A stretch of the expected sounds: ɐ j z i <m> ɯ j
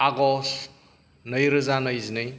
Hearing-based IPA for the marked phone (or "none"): n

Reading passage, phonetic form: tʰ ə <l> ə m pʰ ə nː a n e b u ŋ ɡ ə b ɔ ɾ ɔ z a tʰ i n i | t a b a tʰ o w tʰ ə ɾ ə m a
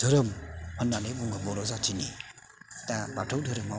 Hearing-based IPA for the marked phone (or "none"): ɾ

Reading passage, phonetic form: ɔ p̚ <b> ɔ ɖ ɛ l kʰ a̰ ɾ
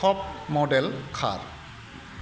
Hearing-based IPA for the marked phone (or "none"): m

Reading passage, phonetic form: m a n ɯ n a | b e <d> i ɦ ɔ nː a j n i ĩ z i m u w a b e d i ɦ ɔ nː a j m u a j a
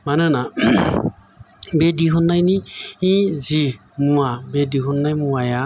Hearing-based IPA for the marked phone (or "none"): d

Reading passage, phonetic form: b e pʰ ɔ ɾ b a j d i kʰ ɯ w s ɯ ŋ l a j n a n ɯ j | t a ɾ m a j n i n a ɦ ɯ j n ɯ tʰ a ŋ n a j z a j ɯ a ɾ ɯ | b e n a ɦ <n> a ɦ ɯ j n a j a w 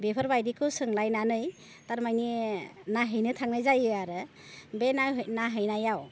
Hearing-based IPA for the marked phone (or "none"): n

